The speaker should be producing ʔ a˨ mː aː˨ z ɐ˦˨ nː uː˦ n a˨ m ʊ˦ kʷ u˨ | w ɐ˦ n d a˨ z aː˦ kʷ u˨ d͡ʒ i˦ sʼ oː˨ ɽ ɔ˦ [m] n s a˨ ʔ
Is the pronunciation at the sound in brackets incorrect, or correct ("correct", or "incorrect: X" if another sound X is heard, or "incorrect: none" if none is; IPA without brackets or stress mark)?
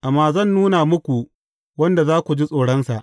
incorrect: none